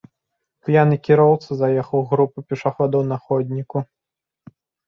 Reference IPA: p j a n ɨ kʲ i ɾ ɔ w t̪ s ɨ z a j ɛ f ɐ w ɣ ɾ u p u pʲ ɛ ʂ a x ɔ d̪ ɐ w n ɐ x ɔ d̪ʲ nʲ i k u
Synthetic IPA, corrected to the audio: p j a n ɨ kʲ i ɾ ɔ w t̪ s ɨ z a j ɛ x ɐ w ɣ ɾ u p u pʲ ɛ ʂ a x ɔ d̪ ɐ w n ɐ x ɔ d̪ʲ nʲ i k u